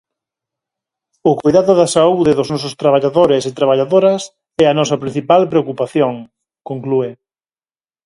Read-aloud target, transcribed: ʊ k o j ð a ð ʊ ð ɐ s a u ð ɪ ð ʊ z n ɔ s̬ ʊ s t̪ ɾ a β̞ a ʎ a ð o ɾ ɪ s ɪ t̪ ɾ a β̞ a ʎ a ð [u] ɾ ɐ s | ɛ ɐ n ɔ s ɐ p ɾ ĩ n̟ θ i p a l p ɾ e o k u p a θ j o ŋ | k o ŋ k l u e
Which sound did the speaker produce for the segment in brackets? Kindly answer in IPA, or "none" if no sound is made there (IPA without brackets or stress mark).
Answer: o